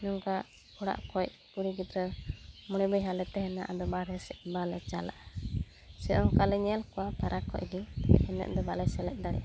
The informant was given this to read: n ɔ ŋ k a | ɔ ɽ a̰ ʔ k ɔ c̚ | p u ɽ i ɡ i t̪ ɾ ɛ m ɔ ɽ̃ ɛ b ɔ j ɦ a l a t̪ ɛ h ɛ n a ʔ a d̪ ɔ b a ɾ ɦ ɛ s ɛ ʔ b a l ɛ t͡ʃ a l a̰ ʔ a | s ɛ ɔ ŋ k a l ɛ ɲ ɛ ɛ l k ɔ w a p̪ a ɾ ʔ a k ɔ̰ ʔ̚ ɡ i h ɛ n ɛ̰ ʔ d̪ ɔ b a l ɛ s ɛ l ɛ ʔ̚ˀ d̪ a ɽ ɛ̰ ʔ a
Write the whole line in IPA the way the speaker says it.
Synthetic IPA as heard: n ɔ ŋ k a | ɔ ɽ a̰ ʔ k ɔ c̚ | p u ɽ i ɡ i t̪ ɾ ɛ m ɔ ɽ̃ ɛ b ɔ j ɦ a l ɛ t̪ ɛ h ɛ n a ʔ a d̪ ɔ b a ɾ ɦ ɛ s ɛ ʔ b a l ɛ t͡ʃ a l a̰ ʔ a | s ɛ ɔ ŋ k a l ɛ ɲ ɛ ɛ l k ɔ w a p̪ a ɾ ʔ a k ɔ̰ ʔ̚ ɡ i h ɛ n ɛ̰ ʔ d̪ ɔ b a l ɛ s ɛ l ɛ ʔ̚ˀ d̪ a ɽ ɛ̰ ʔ a